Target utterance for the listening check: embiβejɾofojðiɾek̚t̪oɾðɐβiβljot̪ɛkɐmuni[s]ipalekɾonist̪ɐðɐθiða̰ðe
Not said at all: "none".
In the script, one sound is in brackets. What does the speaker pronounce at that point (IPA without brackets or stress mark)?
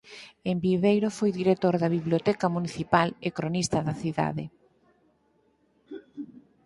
θ